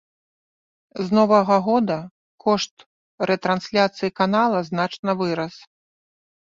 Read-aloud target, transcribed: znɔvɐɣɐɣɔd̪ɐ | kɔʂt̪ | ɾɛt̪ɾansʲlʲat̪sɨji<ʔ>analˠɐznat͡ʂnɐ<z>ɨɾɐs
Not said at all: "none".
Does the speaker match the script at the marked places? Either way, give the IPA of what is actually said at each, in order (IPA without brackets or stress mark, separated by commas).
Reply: k, v